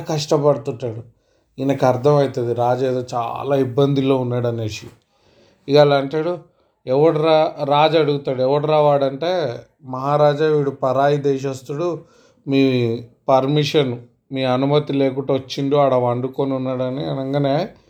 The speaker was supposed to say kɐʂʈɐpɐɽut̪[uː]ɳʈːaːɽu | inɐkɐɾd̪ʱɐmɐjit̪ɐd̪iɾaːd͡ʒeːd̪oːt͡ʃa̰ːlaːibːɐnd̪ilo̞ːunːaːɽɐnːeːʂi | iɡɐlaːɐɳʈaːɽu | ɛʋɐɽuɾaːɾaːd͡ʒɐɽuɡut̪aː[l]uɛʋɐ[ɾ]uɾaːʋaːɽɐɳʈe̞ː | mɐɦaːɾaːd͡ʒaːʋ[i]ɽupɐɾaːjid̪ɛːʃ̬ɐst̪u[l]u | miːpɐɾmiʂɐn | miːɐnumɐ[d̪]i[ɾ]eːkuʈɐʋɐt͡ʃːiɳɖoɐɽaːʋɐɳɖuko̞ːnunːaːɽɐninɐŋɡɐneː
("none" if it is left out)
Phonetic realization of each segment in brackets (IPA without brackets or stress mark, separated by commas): u, ɽ, ɽ, iː, ɽ, t̪, l